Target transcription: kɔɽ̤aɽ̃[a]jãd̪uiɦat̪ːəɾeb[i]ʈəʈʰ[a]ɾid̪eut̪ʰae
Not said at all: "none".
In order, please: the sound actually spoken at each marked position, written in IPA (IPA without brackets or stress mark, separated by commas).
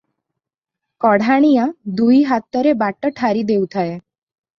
i, a, a